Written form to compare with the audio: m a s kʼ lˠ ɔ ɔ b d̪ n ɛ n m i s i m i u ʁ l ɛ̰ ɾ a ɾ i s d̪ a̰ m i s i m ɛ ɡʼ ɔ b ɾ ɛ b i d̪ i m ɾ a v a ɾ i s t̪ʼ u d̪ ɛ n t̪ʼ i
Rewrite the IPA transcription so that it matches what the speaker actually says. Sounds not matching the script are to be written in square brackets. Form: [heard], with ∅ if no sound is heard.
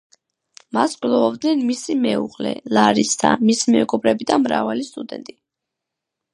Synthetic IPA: m a s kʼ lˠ ɔ ɔ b d̪ n ɛ n m i s i m [ɛ] u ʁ l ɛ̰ [l] a ɾ i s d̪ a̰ m i s i m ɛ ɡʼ ɔ b ɾ ɛ b i d̪ [a] m ɾ a v a [l] i s t̪ʼ u d̪ ɛ n t̪ʼ i